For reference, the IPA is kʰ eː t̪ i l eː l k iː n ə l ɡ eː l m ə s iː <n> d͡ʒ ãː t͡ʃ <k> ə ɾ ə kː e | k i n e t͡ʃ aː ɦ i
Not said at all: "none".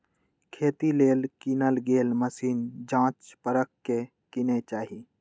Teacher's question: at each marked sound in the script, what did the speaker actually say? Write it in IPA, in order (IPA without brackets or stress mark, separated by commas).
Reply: n, p